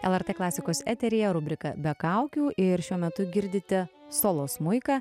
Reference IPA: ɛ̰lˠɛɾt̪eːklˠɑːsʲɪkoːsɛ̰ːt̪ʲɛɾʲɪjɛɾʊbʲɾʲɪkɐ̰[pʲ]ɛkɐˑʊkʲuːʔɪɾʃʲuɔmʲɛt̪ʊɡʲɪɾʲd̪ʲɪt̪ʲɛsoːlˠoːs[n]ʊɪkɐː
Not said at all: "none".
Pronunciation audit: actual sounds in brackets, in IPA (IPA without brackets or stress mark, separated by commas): bʲ, m